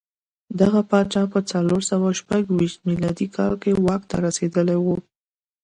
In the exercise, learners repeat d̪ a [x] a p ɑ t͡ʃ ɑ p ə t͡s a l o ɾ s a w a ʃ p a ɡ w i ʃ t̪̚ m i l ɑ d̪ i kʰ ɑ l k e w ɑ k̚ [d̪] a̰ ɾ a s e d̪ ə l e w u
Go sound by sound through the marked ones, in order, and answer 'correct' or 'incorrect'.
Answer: incorrect: ɣ, incorrect: t̪

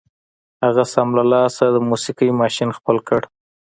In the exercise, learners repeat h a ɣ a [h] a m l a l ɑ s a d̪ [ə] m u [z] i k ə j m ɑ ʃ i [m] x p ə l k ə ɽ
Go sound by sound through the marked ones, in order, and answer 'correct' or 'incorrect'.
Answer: incorrect: s, correct, incorrect: s, incorrect: n

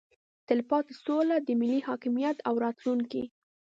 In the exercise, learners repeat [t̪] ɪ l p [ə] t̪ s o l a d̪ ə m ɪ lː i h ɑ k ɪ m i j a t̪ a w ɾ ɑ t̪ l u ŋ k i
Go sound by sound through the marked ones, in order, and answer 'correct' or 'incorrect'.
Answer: correct, incorrect: ɑ

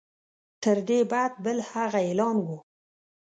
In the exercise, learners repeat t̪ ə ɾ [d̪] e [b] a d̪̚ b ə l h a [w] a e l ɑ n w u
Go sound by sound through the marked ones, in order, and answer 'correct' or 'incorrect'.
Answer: correct, correct, incorrect: ɣ

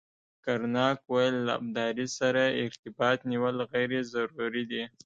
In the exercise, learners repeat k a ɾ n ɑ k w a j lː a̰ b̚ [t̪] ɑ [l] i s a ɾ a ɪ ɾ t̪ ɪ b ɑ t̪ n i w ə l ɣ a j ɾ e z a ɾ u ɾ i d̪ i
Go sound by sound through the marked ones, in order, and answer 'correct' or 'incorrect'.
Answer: incorrect: d̪, incorrect: ɾ

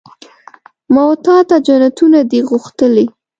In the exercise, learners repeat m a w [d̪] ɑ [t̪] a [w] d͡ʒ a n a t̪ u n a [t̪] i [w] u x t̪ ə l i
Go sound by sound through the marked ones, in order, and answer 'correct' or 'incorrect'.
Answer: incorrect: t̪, correct, incorrect: none, incorrect: d̪, incorrect: ɣ

